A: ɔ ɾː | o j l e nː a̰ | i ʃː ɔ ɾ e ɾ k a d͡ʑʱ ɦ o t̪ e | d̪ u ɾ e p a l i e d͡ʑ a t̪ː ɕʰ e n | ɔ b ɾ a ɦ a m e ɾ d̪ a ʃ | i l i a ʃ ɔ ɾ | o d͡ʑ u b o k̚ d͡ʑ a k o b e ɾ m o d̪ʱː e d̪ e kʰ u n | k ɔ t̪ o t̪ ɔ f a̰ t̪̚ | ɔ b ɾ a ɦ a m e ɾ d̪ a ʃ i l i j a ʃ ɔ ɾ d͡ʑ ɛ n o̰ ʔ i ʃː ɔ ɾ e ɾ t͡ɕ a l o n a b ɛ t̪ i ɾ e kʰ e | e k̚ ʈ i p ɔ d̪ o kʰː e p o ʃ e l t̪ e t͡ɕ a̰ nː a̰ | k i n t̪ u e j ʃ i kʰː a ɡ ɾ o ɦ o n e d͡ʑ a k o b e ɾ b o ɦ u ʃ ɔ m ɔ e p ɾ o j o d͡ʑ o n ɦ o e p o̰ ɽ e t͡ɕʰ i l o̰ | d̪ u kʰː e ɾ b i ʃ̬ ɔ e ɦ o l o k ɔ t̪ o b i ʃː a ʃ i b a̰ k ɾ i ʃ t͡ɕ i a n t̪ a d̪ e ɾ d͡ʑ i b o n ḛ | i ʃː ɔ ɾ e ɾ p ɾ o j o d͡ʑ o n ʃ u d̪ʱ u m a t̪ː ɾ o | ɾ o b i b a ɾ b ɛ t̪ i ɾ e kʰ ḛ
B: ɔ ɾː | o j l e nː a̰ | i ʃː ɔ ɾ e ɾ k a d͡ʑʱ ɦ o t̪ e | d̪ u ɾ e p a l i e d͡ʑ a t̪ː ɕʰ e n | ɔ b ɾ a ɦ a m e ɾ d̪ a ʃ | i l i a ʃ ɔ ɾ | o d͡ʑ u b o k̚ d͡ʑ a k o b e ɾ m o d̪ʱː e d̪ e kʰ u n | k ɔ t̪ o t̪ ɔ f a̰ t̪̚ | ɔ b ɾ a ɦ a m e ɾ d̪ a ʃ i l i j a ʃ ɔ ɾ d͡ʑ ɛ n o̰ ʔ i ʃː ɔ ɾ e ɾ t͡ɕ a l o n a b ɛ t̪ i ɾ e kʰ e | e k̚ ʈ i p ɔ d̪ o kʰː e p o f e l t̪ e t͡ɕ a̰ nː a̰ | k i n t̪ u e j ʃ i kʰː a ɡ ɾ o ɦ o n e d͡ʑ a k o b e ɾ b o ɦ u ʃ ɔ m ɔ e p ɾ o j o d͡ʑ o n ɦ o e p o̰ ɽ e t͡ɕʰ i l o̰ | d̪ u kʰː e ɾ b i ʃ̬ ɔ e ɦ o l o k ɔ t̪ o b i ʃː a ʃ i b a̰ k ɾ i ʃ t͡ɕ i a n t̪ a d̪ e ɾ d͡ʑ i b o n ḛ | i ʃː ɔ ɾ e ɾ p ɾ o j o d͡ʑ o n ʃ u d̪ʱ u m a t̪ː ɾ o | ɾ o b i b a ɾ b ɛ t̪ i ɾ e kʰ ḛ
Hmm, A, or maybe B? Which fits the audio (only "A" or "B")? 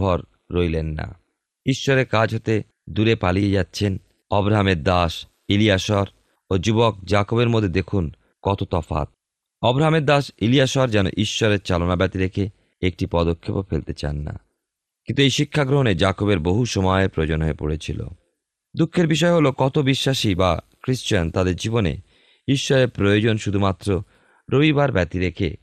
B